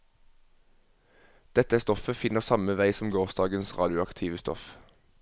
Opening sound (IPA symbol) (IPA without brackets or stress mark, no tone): d̪̥